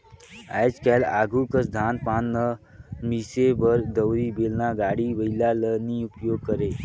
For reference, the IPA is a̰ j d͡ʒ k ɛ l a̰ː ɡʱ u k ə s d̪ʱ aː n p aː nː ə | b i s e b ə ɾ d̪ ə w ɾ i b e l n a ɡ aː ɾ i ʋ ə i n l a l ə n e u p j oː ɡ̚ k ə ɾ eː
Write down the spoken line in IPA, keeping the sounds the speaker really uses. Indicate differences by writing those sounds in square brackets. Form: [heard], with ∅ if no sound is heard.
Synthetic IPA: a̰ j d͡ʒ k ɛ l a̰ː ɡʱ u k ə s d̪ʱ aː n p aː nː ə | [m] i s e b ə ɾ d̪ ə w ɾ i b e l n a ɡ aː [ɽ] i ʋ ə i [∅] l a l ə n [i] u p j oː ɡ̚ k ə ɾ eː

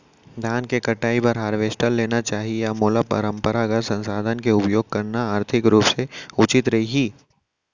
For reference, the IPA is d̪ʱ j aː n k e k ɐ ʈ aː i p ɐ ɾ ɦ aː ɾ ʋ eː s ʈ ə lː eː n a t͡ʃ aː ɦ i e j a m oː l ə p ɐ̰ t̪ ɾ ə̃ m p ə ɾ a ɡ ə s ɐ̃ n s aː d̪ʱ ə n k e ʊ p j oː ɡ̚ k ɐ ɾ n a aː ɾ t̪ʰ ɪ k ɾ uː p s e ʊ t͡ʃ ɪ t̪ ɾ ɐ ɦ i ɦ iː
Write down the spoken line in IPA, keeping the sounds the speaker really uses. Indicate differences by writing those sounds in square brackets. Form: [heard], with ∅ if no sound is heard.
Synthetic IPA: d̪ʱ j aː n k e k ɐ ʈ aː i p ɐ ɾ ɦ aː ɾ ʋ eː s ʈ ə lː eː n a t͡ʃ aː ɦ i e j a m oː l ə p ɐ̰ [∅] ɾ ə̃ m p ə ɾ a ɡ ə s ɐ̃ n s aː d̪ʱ ə n k e ʊ p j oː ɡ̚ k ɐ ɾ n a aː ɾ t̪ʰ ɪ k ɾ uː p s e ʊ t͡ʃ ɪ t̪ ɾ ɐ ɦ i ɦ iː

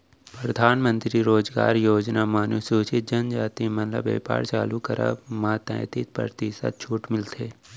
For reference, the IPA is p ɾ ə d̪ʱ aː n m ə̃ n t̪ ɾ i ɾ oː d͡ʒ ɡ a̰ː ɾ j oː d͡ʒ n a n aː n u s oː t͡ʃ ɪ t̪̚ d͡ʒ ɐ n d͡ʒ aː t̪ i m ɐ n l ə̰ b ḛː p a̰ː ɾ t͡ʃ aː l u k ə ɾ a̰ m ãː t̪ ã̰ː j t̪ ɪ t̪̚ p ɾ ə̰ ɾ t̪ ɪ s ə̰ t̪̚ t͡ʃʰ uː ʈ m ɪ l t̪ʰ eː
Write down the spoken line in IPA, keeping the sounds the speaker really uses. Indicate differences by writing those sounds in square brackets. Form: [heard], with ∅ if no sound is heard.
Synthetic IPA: p ɾ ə d̪ʱ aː n m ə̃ n t̪ ɾ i ɾ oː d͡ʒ ɡ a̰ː ɾ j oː d͡ʒ n a [m] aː n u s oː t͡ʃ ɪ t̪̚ d͡ʒ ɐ n d͡ʒ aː t̪ i m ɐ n l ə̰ b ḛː p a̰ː ɾ t͡ʃ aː l u k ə ɾ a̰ m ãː t̪ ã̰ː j t̪ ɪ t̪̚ p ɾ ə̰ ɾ t̪ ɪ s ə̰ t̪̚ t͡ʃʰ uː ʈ m ɪ l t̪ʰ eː

